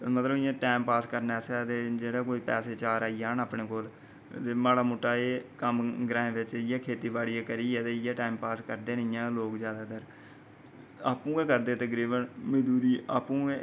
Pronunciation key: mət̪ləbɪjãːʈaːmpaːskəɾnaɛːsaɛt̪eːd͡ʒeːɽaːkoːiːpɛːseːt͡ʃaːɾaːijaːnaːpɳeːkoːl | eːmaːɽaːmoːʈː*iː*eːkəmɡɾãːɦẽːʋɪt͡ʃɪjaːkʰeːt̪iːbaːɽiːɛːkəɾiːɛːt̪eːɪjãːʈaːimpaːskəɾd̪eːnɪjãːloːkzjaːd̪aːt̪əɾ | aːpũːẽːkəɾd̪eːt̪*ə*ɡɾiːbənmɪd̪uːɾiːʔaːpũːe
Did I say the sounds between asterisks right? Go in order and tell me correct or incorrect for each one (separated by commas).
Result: incorrect, correct